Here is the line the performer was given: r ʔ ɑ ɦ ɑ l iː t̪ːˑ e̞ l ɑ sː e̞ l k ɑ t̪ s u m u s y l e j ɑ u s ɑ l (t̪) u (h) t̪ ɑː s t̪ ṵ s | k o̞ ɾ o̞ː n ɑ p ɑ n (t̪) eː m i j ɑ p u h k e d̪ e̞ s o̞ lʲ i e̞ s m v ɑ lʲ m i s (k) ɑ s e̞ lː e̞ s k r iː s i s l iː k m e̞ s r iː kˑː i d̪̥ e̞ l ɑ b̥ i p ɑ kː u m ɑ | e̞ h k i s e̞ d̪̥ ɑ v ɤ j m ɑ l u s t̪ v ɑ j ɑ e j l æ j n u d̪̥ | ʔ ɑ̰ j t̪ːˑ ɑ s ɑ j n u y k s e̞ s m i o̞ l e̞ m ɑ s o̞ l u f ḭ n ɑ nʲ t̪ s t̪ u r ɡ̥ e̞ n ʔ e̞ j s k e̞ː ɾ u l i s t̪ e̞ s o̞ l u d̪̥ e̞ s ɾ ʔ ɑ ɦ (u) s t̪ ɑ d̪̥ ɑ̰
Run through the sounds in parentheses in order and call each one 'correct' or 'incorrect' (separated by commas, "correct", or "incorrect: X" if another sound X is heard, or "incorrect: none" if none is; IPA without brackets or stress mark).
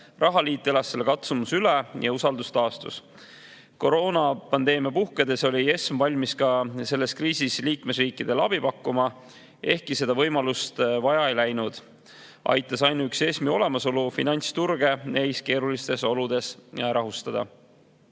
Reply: incorrect: d̪, incorrect: s, incorrect: d̪, correct, correct